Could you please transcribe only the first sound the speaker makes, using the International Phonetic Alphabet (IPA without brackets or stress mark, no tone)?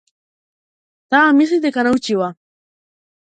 t̪